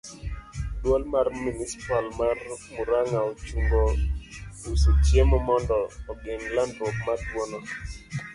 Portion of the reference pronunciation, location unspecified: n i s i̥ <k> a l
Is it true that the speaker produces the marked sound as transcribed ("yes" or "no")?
no